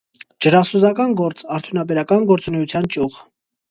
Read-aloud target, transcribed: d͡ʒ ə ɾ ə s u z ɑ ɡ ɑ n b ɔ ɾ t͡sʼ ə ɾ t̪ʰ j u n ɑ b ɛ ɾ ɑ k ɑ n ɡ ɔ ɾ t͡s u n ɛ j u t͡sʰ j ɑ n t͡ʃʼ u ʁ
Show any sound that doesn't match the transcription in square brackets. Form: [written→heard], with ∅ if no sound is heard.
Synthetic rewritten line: d͡ʒ ə ɾ [ə→ɑ] s u z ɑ [ɡ→k] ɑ n [b→ɡ] ɔ ɾ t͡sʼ [ə→ɑ] ɾ t̪ʰ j u n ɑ b ɛ ɾ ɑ k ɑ n ɡ ɔ ɾ t͡s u n ɛ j u t͡sʰ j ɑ n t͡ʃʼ u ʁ